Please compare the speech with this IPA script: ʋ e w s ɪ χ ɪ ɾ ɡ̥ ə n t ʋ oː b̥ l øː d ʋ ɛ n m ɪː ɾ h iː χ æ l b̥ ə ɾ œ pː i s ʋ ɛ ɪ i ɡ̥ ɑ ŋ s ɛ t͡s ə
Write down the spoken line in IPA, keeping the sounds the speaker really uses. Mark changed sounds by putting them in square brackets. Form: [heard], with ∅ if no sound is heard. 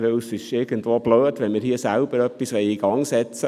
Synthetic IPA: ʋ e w s ɪ [ʃ] ɪ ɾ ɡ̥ ə n t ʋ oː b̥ l øː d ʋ ɛ n m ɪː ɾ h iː [s] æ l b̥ ə ɾ œ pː i s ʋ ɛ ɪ i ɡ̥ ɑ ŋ s ɛ t͡s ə